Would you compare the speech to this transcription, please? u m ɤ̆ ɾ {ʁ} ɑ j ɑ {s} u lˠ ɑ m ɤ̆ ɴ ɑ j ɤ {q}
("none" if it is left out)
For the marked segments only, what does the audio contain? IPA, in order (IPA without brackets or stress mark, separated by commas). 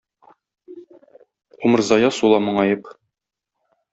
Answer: z, s, p